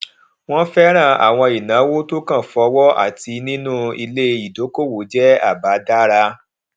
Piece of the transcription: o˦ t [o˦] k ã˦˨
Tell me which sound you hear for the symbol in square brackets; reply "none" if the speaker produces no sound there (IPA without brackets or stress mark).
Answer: o˦